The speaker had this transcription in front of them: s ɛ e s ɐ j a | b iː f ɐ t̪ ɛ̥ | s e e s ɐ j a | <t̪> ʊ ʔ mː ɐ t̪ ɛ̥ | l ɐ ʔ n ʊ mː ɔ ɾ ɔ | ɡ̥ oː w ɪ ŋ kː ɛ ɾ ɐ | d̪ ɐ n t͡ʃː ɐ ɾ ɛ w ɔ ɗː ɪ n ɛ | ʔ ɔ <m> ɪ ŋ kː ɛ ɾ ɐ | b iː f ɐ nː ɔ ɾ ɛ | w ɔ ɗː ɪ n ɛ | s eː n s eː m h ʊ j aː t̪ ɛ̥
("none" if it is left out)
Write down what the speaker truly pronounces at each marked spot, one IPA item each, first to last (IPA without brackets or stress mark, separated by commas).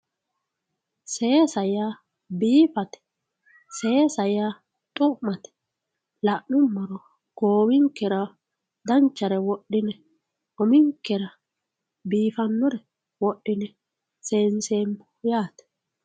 t̪ʼ, m